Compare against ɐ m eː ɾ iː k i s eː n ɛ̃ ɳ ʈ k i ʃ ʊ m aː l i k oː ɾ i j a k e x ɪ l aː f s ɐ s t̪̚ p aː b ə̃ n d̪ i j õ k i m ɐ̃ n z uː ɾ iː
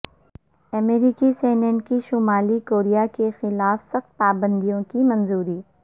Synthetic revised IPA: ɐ m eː ɾ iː k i s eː n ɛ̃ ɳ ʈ k i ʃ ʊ m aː l i k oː ɾ i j a k e x ɪ l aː f s ɐ x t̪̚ p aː b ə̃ n d̪ i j õ k i m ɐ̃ n z uː ɾ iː